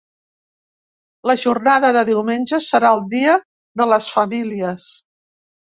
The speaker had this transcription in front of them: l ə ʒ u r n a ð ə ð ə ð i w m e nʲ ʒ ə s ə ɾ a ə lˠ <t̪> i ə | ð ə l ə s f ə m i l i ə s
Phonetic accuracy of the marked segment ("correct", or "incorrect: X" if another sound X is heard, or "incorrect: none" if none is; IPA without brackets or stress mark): incorrect: d̪